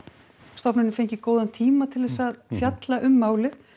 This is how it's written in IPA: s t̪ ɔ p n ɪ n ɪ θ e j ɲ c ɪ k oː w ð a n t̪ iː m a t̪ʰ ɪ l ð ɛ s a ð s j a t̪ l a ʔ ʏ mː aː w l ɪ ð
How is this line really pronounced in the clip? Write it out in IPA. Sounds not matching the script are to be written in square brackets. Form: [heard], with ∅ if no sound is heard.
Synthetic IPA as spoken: s t̪ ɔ p n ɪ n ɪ [f] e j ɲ c ɪ k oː w ð a n [t̪ʰ] iː m a t̪ʰ ɪ l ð ɛ s a ð [f] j a t̪ l a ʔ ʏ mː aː w l ɪ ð